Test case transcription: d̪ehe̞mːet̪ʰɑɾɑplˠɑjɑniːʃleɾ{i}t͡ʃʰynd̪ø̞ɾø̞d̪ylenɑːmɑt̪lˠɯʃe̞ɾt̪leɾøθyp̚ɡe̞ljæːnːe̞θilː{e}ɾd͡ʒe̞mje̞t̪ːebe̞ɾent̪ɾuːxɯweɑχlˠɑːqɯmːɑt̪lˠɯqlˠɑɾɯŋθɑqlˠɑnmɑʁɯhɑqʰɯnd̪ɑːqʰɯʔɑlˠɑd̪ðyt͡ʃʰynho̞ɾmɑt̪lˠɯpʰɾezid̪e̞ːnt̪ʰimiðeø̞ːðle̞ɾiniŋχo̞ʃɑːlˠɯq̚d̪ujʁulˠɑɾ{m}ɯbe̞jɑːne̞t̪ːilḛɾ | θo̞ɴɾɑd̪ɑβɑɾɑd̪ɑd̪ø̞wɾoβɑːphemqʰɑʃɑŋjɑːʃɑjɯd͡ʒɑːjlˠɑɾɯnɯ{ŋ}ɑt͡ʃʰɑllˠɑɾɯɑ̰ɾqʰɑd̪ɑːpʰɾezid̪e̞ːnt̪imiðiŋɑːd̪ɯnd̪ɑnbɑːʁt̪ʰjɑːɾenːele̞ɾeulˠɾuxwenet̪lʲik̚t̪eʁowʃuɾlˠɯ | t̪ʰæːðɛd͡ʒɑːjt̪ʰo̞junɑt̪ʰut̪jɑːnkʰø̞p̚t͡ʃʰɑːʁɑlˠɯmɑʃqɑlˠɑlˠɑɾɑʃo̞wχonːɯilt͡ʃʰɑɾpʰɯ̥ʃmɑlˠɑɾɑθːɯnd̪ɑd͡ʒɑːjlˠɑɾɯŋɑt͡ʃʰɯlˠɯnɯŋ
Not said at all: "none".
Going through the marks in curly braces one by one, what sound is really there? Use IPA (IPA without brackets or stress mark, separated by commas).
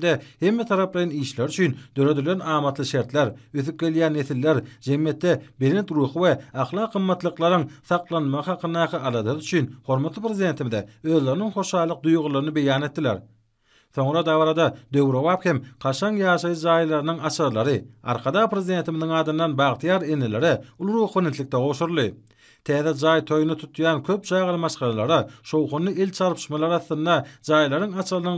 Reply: y, e, n, ŋ